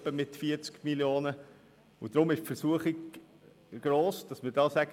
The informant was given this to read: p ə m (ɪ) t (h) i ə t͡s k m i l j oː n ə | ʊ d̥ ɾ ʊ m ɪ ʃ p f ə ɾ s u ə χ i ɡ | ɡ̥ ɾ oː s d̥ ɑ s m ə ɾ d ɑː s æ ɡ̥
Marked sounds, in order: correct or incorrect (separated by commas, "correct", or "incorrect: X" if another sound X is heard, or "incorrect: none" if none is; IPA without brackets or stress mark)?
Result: correct, incorrect: f